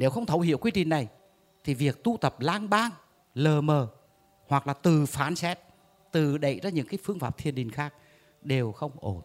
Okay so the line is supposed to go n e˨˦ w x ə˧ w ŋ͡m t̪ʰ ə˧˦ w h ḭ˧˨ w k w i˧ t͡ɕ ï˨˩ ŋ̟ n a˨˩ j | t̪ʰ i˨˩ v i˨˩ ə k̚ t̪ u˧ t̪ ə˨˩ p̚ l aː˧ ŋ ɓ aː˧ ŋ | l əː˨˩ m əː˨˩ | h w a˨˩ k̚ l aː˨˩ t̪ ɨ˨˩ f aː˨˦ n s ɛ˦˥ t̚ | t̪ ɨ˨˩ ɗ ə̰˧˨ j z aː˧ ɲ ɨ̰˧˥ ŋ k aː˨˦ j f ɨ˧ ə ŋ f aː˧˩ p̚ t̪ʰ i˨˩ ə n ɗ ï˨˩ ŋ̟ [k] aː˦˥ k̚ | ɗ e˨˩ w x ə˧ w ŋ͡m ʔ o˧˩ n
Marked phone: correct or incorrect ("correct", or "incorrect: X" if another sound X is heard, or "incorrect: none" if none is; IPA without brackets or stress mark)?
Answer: incorrect: x